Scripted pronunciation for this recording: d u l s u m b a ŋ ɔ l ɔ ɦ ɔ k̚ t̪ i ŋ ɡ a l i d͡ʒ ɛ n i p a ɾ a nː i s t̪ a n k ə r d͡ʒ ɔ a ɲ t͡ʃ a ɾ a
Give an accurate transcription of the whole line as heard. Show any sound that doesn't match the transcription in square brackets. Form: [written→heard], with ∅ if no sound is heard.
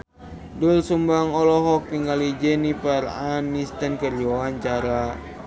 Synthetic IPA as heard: d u l s u m b a ŋ ɔ l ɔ ɦ ɔ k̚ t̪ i ŋ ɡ a l i d͡ʒ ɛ n i p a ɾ a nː i s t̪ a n k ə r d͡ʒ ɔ a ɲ t͡ʃ a ɾ a